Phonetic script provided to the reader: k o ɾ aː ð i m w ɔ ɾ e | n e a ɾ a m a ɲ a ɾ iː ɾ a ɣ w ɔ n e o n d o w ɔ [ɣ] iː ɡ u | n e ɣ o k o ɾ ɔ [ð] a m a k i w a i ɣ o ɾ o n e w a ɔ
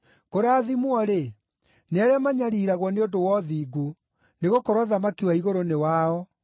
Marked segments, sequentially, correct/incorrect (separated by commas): incorrect, correct